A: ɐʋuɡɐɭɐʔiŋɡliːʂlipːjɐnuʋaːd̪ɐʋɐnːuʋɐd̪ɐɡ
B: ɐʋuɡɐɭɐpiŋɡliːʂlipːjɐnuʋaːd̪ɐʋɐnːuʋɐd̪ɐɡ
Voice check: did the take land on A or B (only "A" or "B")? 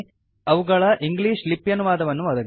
A